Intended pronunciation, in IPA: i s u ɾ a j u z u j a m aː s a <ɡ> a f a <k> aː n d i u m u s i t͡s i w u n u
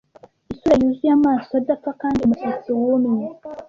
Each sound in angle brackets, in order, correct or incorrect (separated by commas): incorrect, correct